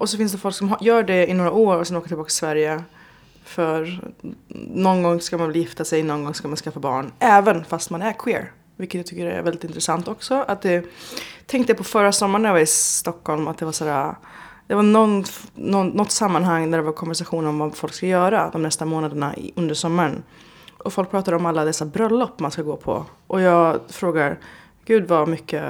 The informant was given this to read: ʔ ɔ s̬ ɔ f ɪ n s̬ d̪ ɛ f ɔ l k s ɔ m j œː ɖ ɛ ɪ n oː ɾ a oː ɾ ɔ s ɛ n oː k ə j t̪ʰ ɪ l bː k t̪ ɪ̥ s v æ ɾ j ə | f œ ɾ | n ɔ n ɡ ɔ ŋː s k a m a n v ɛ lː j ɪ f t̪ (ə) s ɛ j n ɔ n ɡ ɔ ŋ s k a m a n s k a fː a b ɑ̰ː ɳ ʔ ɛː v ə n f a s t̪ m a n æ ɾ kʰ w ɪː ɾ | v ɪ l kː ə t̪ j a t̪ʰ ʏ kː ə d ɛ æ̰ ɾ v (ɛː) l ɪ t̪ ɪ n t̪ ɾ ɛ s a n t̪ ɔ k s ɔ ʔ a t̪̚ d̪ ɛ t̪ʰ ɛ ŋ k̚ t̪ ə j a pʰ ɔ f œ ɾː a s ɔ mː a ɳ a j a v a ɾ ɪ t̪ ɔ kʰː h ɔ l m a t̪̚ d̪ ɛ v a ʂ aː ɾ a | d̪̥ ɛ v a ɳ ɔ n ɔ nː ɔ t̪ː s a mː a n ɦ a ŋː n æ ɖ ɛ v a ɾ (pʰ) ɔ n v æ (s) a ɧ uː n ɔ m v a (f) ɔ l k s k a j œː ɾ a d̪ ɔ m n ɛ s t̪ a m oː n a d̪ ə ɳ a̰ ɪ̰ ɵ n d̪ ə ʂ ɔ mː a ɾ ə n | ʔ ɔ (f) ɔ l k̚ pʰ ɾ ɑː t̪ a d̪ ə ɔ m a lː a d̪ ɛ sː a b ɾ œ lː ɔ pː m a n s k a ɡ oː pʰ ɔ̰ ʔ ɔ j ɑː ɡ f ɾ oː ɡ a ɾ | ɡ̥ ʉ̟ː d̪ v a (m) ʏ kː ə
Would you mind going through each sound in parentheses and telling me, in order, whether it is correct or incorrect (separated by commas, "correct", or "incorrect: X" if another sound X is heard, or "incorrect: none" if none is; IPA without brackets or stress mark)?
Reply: incorrect: a, incorrect: ɛ, incorrect: kʰ, incorrect: ʂ, correct, correct, correct